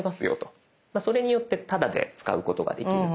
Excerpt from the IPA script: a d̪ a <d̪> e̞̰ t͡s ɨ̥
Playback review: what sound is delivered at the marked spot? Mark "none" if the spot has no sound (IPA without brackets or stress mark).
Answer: d̪